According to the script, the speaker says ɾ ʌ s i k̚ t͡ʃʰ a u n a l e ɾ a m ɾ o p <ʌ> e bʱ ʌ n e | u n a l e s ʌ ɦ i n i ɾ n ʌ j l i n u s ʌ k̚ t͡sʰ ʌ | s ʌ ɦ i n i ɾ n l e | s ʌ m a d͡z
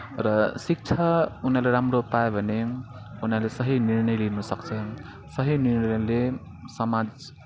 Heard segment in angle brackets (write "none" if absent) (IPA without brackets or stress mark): a